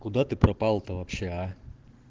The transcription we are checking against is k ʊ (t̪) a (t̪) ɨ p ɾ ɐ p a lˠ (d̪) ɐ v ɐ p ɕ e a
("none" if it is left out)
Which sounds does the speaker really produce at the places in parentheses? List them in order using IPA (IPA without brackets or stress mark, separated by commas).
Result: d̪, t̪, t̪